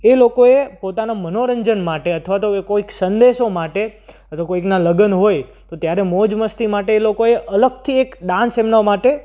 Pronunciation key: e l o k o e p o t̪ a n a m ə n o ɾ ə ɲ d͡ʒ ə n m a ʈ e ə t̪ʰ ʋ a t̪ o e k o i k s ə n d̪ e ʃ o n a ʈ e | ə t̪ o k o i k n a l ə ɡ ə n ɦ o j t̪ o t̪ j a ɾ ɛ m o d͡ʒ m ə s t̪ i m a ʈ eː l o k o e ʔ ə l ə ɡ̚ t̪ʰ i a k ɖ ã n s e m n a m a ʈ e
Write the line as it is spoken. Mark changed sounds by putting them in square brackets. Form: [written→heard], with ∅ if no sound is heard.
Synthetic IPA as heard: e l o k o e p o t̪ a n a m ə n o ɾ ə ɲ d͡ʒ ə n m a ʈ e ə t̪ʰ ʋ a t̪ o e k o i k s ə n d̪ e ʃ o [n→m] a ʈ e | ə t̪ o k o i k n a l ə ɡ ə n ɦ o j t̪ o t̪ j a ɾ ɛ m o d͡ʒ m ə s t̪ i m a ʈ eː l o k o e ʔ ə l ə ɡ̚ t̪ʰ i [a→e] k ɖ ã n s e m n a m a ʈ e